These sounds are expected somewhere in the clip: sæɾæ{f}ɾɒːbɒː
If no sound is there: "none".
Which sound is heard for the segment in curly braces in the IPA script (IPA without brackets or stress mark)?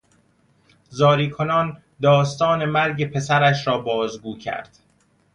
ʃ